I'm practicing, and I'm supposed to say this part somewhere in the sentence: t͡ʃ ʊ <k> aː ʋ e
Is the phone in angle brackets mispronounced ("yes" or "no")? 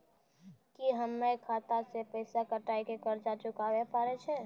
no